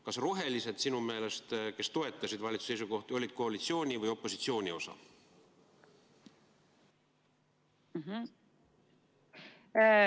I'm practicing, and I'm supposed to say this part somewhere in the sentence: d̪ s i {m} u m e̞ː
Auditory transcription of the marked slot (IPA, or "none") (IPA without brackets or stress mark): n